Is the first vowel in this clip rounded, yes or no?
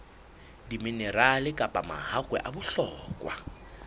no